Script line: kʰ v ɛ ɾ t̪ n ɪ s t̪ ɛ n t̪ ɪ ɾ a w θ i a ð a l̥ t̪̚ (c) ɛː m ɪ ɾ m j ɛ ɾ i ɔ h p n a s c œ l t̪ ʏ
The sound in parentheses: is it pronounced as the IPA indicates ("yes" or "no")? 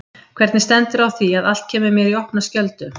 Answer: no